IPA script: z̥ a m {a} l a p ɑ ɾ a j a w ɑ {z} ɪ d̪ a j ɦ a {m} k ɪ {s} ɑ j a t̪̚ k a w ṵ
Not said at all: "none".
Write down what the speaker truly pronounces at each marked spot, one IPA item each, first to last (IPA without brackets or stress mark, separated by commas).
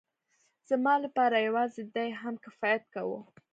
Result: ɑ, z, m, f